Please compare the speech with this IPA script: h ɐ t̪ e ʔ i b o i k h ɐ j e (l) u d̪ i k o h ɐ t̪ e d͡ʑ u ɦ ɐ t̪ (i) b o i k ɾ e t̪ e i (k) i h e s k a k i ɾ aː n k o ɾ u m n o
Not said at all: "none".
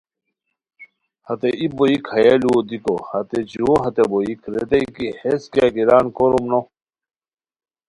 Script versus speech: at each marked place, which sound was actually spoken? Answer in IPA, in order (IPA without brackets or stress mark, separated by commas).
l, e, k